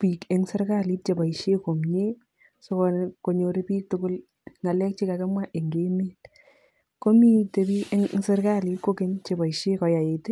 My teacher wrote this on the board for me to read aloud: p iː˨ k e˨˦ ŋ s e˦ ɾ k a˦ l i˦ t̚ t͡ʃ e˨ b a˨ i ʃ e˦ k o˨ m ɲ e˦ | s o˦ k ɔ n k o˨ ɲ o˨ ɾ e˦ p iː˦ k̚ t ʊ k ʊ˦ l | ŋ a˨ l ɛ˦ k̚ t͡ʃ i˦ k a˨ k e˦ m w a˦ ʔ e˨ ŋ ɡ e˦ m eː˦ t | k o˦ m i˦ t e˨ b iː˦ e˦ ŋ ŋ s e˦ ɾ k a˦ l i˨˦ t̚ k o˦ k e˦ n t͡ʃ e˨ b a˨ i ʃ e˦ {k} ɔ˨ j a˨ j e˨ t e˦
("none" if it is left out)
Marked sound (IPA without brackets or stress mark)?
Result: k